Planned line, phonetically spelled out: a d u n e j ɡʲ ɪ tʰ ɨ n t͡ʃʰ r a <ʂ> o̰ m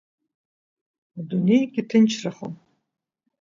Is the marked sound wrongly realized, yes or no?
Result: yes